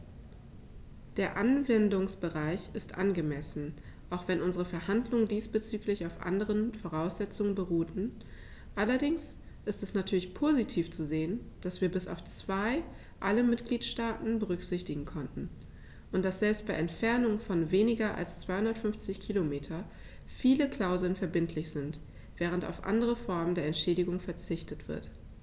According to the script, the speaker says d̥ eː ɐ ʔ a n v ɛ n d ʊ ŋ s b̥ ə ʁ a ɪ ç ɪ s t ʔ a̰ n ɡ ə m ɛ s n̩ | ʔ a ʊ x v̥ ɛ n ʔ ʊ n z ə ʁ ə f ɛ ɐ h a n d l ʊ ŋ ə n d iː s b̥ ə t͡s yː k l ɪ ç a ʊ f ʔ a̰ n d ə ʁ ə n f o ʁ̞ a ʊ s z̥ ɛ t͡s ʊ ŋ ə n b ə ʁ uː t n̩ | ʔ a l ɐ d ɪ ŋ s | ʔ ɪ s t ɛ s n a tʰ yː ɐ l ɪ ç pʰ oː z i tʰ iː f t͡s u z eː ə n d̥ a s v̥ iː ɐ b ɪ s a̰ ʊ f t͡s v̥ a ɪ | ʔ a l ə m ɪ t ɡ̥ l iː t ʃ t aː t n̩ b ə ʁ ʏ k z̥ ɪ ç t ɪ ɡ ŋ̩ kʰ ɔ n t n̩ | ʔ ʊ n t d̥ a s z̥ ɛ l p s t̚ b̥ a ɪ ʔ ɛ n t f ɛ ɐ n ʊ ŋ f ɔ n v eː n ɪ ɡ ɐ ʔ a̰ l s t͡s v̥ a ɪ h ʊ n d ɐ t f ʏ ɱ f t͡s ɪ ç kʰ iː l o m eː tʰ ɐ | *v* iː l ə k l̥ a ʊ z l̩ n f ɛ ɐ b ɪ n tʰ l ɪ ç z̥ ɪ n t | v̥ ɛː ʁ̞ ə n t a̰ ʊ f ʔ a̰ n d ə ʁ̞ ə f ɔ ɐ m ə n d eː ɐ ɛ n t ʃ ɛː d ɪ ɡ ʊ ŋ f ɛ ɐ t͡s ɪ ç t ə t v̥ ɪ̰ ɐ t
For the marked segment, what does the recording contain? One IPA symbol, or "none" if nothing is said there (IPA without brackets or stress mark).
f